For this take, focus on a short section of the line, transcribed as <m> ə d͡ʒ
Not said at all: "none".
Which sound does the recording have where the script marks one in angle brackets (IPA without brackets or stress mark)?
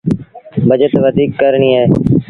b